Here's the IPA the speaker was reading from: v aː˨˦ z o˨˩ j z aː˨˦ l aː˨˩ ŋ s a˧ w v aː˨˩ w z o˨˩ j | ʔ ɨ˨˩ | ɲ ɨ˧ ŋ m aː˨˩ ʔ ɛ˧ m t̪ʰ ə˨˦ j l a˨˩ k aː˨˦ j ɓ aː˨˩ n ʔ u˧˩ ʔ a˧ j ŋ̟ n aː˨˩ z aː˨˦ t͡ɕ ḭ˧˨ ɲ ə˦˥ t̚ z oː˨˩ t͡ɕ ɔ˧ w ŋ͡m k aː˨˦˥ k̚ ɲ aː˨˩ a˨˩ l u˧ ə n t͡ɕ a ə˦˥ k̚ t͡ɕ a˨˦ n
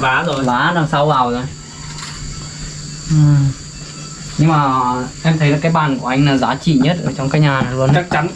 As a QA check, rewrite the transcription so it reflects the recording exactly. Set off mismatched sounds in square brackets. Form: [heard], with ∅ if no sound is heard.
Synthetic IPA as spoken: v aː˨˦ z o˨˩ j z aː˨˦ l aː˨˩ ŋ s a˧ w v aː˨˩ w z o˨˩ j | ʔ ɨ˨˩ | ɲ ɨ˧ ŋ m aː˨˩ ʔ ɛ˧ m t̪ʰ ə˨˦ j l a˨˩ k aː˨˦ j ɓ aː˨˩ n [k] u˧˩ ʔ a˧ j ŋ̟ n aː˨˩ z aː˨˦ t͡ɕ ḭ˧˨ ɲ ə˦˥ t̚ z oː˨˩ t͡ɕ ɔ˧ w ŋ͡m k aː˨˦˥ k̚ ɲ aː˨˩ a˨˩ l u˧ ə n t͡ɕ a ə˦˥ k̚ t͡ɕ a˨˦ n